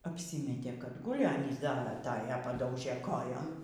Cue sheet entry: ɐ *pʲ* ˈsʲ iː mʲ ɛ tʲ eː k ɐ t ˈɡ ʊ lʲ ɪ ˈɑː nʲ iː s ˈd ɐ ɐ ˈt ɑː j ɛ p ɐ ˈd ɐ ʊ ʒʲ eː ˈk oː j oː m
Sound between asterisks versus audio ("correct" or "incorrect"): correct